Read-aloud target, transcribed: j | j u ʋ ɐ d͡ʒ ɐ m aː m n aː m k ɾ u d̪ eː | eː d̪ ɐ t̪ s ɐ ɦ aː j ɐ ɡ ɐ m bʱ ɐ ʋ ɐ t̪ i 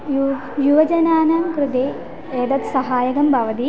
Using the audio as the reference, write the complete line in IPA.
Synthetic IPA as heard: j | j u ʋ ɐ d͡ʒ ɐ n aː n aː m k ɾ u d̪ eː | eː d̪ ɐ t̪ s ɐ ɦ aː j ɐ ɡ ɐ m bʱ ɐ ʋ ɐ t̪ i